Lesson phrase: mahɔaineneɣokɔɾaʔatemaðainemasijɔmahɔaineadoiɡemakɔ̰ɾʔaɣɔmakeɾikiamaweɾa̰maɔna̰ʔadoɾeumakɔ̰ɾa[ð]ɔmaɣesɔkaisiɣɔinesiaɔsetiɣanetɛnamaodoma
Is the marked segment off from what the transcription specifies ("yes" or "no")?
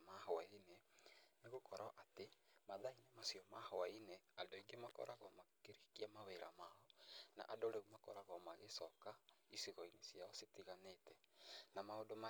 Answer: yes